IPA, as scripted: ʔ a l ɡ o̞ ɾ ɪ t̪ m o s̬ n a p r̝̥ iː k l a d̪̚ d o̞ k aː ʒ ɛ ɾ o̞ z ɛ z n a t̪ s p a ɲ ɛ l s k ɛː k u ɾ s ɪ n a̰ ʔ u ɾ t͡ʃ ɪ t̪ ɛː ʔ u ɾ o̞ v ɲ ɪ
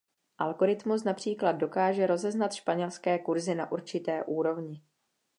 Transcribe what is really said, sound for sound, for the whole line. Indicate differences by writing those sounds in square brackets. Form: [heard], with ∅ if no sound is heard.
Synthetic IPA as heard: ʔ a l ɡ o̞ ɾ ɪ t̪ m [u] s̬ n a p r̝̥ iː k l a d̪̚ d o̞ k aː ʒ ɛ ɾ o̞ z ɛ z n a t̪ [ʃ] p a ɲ ɛ l s k ɛː k u ɾ [z] ɪ n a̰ ʔ u ɾ t͡ʃ ɪ t̪ ɛː ʔ [uː] ɾ o̞ v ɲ ɪ